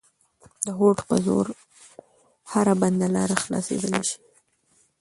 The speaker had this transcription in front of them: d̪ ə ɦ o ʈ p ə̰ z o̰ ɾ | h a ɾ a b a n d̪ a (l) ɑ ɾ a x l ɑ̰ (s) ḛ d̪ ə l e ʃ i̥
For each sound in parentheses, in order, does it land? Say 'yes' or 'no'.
yes, yes

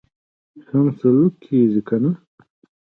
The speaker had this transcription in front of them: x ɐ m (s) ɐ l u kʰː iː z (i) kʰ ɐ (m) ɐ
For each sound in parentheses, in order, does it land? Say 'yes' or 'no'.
yes, yes, no

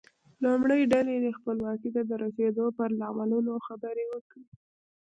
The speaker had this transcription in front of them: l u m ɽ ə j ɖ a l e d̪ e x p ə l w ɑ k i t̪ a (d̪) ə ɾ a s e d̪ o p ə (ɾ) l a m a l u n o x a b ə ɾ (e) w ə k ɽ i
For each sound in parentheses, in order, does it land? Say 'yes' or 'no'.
yes, yes, yes

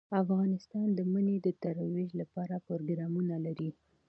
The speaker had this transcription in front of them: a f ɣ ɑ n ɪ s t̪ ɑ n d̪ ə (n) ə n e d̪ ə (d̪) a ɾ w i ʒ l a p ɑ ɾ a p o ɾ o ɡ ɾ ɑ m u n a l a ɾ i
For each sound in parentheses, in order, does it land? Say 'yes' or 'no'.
no, no

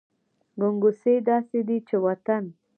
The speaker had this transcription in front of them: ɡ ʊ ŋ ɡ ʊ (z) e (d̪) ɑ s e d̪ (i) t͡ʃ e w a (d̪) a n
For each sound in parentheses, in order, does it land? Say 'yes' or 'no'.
no, yes, yes, no

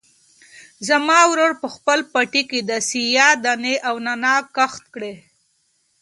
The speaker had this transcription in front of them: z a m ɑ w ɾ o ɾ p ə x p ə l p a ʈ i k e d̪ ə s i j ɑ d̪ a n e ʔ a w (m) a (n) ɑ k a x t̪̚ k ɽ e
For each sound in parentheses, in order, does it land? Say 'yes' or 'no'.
no, yes

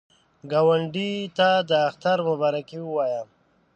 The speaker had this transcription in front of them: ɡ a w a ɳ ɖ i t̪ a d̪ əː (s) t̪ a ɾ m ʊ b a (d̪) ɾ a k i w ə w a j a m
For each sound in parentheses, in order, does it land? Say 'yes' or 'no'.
no, no

